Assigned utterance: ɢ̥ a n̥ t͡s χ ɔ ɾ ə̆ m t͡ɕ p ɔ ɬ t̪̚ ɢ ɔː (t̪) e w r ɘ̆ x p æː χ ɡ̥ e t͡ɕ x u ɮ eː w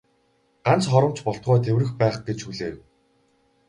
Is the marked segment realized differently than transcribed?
yes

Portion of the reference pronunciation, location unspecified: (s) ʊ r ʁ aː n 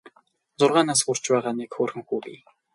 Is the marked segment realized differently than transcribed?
yes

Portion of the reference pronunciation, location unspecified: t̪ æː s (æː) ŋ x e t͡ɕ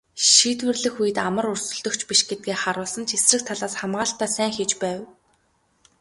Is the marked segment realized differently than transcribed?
no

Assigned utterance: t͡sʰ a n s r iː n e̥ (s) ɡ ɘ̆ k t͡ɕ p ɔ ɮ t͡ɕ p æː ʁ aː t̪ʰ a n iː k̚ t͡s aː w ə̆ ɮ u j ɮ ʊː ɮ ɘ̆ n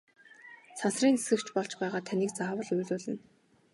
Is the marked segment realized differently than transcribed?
no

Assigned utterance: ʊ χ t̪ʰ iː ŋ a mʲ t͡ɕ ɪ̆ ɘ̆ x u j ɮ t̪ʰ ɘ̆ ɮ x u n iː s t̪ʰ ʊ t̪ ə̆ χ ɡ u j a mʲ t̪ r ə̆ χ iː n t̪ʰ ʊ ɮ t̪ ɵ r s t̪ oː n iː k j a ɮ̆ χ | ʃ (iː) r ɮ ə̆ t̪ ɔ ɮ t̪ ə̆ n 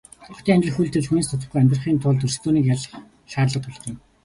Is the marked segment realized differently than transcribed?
yes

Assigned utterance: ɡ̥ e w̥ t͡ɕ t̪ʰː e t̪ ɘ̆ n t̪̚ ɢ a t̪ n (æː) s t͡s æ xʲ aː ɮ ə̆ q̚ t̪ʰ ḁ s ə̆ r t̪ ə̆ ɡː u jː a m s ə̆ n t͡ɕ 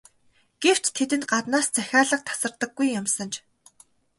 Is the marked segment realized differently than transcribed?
yes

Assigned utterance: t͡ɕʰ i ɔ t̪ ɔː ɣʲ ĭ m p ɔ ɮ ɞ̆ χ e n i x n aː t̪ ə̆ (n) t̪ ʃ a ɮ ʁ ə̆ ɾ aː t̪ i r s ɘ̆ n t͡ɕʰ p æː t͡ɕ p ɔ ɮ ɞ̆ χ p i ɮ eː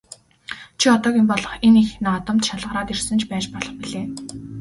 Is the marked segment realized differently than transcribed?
yes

